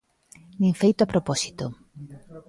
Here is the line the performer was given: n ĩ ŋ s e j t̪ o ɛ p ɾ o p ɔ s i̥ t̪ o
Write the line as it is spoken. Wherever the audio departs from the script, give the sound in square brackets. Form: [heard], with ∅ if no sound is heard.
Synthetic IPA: n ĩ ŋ [f] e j t̪ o [a] p ɾ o p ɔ s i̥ t̪ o